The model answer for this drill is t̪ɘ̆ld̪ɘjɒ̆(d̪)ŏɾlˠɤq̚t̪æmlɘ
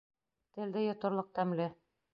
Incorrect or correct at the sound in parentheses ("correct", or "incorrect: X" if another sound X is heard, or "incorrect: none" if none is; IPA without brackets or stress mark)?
incorrect: t̪